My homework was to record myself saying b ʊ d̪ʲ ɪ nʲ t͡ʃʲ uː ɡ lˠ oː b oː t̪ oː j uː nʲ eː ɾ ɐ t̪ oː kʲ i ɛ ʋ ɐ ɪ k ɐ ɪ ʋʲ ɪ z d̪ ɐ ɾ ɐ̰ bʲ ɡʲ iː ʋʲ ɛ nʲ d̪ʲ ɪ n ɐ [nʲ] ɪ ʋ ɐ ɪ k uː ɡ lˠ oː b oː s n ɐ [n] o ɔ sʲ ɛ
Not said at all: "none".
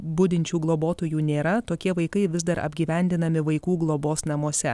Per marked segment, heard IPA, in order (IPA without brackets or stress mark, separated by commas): mʲ, m